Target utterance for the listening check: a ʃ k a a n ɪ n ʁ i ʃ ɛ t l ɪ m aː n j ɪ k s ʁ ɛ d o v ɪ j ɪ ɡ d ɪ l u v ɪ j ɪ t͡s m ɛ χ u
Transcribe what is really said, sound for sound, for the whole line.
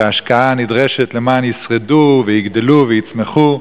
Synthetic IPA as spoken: a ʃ k a a n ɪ d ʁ ɛ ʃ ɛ t l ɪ m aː n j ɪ s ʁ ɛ d u v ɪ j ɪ ɡ d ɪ l u v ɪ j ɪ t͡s m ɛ χ u